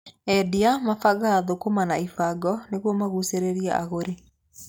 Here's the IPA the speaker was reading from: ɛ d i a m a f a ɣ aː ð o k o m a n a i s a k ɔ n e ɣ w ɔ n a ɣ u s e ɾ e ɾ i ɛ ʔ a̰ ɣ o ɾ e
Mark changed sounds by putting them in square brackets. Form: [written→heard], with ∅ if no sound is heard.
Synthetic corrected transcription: ɛ d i a m a f a ɣ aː ð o k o m a n a i [s→f] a [k→ɡ] ɔ n e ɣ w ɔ [n→m] a ɣ u s e ɾ e ɾ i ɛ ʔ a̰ ɣ o ɾ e